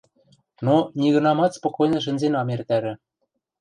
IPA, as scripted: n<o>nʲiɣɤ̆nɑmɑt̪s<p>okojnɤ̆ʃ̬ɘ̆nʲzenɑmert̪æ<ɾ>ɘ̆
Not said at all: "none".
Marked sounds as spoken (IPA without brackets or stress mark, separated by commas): o, p, ɾ